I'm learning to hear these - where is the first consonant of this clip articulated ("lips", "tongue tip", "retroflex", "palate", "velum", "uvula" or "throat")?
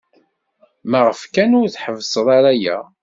lips